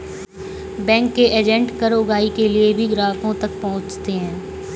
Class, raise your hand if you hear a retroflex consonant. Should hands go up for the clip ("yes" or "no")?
yes